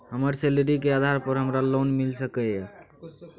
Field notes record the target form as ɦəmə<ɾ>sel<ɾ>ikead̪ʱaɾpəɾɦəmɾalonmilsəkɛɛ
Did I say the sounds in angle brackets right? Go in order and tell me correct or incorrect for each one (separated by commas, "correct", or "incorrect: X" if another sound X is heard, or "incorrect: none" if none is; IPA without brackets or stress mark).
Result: correct, correct